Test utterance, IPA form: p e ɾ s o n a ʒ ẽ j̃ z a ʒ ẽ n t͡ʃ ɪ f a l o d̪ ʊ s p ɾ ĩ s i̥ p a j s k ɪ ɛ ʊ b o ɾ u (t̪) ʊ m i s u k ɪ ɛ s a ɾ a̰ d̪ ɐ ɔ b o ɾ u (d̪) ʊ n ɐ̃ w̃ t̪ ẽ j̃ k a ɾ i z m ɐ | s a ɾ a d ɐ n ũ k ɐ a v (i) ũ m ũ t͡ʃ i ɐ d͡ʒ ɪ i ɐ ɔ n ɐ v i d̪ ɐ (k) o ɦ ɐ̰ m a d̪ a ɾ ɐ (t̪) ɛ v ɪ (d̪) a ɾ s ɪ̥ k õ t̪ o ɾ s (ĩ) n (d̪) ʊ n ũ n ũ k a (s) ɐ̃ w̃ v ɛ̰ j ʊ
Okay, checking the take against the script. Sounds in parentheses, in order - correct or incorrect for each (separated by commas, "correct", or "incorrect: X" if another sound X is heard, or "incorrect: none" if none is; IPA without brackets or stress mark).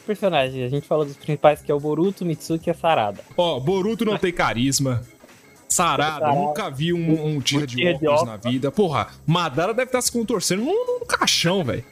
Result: correct, incorrect: t̪, correct, incorrect: p, incorrect: d̪, incorrect: t̪, incorrect: ẽ, correct, incorrect: ʃ